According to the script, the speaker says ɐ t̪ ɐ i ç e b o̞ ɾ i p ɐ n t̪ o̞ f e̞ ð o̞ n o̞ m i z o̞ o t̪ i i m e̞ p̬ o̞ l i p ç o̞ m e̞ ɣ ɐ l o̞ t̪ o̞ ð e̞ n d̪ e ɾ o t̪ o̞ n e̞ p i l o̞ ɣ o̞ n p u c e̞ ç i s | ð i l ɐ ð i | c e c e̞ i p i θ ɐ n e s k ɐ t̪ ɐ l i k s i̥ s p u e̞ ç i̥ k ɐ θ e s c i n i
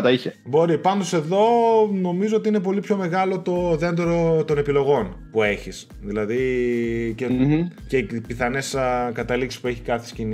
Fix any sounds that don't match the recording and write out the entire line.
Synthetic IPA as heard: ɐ t̪ ɐ i ç e b o̞ ɾ i p ɐ n d̪ o̞ s e̞ ð o̞ n o̞ m i z o̞ o t̪ i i n e̞ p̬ o̞ l i p ç o̞ m e̞ ɣ ɐ l o̞ t̪ o̞ ð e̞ n d̪ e ɾ o t̪ o̞ n e̞ p i l o̞ ɣ o̞ n p u e̞ ç i s | ð i l ɐ ð i | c e c e̞ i p i θ ɐ n e s k ɐ t̪ ɐ l i k s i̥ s p u e̞ ç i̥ k ɐ θ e s c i n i